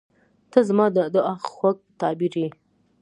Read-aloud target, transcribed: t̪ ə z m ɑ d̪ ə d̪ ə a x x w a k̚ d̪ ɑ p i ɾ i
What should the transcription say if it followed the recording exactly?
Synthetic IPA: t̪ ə z m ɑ d̪ ə d̪ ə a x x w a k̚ t̪ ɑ b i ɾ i